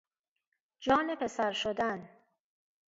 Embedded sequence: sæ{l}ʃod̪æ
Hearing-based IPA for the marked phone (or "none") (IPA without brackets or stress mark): ɾ